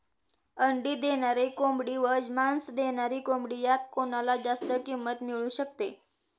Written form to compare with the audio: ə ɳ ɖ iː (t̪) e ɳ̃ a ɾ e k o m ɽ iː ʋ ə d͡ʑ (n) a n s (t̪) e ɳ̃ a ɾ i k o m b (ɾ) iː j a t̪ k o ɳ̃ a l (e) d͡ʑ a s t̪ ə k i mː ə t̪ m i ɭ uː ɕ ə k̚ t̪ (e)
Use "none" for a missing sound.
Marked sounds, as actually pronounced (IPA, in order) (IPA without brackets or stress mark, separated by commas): d̪, m, d̪, ɽ, a, e